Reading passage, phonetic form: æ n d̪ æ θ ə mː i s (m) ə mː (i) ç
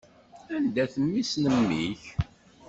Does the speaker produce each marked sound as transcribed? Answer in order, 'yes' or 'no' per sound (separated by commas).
no, yes